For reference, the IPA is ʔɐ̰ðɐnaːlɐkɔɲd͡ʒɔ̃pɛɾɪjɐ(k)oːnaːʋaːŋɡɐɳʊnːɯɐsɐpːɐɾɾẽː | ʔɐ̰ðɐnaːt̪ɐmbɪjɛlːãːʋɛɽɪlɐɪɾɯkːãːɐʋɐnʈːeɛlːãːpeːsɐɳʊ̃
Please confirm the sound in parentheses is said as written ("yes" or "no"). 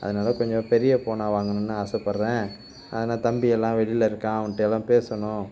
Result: no